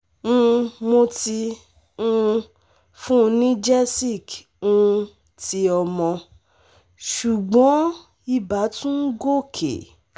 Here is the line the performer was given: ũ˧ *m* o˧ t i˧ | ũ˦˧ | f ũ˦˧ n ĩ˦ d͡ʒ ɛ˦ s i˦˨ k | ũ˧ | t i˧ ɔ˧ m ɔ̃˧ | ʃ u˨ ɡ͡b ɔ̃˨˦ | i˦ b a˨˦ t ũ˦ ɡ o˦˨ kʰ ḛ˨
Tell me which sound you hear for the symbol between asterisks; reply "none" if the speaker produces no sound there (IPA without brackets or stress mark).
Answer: m